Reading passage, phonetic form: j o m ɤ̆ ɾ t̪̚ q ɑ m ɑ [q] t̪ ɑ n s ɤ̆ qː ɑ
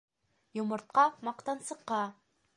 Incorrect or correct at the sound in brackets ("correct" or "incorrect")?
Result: correct